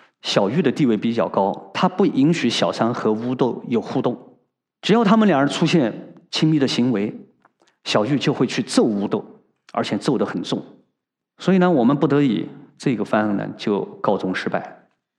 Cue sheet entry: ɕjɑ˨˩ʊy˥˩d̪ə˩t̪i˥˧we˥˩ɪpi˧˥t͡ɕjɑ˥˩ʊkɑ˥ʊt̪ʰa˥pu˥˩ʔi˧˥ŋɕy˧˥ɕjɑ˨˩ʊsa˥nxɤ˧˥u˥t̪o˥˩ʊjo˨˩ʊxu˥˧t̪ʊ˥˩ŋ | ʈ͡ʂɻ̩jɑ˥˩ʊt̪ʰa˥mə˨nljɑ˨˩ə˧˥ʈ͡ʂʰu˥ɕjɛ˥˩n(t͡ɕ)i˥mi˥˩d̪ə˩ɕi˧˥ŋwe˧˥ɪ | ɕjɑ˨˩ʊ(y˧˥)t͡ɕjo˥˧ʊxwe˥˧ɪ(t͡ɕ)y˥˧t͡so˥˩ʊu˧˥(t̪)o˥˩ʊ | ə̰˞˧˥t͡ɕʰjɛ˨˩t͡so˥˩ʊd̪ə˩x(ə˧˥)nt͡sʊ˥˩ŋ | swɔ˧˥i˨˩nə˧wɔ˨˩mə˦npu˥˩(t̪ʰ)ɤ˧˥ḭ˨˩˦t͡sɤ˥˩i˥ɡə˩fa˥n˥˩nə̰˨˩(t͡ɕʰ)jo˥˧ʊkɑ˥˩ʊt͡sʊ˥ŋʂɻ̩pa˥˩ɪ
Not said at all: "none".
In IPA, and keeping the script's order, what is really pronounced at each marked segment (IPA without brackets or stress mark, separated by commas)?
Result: t͡ɕʰ, y˥˧, t͡ɕʰ, t̪, ə˨˩, t̪, t͡ɕ